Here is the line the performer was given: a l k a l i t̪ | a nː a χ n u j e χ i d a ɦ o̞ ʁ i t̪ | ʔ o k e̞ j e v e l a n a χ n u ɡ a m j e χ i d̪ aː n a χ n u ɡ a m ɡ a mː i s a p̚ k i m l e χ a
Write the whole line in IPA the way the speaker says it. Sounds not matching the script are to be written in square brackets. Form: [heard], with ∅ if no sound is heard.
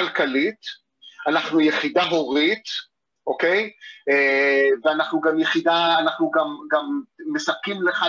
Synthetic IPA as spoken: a l k a l i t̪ | a [n] a χ n u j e χ i d a ɦ o̞ ʁ i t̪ | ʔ o k e̞ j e v e [∅] a n a χ n u ɡ a m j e χ i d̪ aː n a χ n u ɡ a m ɡ a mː [e] s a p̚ k i m l e χ a